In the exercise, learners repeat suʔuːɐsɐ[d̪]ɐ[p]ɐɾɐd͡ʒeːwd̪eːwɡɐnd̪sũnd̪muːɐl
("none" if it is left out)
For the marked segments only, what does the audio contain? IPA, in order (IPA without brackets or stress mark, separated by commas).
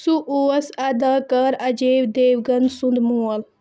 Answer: d̪, k